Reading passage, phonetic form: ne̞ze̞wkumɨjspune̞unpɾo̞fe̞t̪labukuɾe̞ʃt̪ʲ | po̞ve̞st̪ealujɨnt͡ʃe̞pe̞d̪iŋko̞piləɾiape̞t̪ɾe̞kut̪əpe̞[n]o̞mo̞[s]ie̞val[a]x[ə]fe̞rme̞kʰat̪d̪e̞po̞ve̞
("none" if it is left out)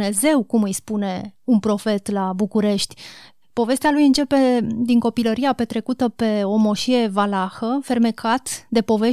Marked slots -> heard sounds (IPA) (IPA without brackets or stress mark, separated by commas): none, ʃ, a, ə